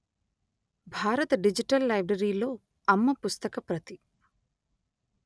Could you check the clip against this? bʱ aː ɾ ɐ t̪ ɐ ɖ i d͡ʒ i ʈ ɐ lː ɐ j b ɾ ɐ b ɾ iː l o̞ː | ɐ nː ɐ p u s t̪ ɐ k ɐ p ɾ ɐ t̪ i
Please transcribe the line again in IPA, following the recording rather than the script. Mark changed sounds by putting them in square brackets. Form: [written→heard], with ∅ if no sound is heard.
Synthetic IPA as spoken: bʱ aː ɾ ɐ t̪ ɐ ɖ i d͡ʒ i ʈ ɐ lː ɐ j b ɾ ɐ [b→∅] ɾ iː l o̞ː | ɐ [nː→mː] ɐ p u s t̪ ɐ k ɐ p ɾ ɐ t̪ i